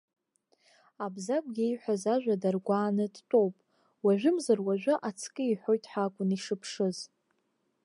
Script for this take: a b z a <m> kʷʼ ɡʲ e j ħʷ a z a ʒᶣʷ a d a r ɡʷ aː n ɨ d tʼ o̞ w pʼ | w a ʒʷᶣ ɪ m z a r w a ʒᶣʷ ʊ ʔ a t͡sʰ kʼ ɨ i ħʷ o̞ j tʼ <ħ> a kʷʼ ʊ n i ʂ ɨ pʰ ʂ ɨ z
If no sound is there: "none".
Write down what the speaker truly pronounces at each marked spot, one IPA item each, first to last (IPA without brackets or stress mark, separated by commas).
none, ħ